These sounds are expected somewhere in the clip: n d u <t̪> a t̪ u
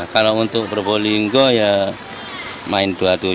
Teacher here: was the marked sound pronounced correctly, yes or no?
no